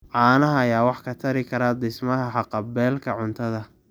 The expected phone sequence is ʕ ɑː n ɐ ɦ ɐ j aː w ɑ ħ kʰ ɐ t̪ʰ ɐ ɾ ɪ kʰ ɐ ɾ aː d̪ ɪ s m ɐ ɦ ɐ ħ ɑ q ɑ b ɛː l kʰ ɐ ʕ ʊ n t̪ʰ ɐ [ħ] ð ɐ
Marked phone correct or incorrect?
incorrect: none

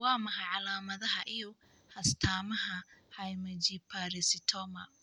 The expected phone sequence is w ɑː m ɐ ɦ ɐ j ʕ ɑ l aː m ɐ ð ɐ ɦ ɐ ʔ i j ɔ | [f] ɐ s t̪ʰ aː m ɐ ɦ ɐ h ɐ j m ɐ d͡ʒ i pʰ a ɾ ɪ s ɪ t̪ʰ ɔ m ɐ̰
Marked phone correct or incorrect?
incorrect: h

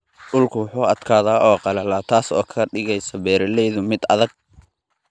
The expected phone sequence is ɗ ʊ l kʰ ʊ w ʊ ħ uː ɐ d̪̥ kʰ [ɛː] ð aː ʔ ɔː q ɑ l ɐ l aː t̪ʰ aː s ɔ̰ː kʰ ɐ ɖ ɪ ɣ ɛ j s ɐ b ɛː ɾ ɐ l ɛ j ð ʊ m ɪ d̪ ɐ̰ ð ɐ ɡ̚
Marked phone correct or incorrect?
incorrect: aː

